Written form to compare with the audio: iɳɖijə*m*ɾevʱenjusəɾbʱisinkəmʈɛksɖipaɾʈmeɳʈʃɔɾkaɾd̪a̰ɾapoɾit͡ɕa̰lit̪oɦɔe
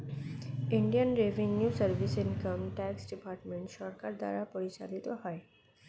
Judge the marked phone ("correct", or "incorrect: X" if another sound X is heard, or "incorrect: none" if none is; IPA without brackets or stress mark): incorrect: n